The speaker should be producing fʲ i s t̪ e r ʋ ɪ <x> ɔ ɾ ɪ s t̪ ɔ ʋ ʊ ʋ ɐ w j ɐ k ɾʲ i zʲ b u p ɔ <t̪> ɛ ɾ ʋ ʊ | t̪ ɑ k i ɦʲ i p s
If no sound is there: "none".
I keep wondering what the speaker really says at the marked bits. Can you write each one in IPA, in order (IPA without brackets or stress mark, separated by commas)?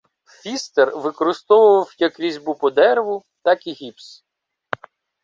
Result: k, d̪